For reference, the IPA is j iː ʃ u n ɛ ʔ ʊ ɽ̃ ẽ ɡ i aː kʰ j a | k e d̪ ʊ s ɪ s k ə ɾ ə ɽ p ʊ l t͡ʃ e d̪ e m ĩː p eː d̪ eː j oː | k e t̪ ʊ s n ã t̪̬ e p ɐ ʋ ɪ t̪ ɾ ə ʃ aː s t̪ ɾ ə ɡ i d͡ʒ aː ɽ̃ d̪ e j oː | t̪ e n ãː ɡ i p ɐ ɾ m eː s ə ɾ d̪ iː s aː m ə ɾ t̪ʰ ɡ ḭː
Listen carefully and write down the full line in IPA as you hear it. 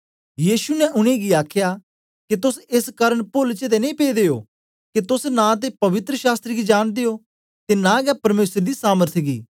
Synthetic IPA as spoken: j iː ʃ u n ɛ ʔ ʊ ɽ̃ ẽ ɡ i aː kʰ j a | k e t̪ ʊ s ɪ s k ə ɾ ə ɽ p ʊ l t͡ʃ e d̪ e n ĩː p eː d̪ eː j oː | k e t̪ ʊ s n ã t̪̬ e p ɐ ʋ ɪ t̪ ɾ ə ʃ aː s t̪ ɾ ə ɡ i d͡ʒ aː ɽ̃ d̪ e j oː | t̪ e n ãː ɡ ɛ p ɐ ɾ m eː s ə ɾ d̪ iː s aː m ə ɾ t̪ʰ ɡ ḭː